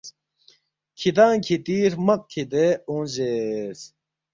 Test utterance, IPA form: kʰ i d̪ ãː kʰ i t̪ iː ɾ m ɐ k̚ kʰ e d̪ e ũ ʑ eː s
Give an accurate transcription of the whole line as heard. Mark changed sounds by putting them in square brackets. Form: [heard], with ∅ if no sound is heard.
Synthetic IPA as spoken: kʰ i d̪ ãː kʰ i t̪ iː ɾ m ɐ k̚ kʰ [i] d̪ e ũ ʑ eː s